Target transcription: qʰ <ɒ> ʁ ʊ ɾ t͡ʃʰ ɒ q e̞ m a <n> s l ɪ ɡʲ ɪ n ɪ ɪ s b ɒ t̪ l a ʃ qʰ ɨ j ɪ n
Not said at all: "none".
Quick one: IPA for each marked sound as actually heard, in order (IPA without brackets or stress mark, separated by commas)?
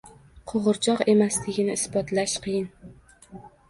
o, none